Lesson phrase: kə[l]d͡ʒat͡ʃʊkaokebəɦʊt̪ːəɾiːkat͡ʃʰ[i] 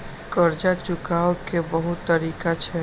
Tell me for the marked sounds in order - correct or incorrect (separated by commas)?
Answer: incorrect, incorrect